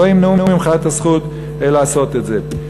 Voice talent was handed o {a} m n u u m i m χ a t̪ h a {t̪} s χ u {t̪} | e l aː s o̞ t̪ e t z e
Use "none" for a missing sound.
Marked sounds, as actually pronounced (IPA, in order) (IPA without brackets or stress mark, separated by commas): i, none, t̪